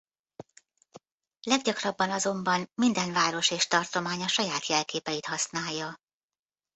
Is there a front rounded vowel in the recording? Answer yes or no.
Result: no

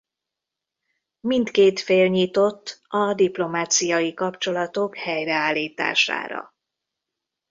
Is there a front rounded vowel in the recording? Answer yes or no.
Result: no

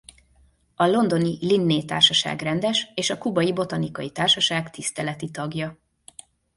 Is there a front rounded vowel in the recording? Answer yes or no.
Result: no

